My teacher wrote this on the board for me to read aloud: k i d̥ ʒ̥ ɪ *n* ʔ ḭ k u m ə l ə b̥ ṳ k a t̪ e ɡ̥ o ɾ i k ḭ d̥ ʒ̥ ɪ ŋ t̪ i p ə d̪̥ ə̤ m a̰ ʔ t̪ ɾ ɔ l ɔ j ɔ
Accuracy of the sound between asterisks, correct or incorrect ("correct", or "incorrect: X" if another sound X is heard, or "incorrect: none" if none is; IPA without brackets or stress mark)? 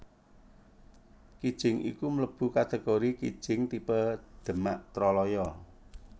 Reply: incorrect: ŋ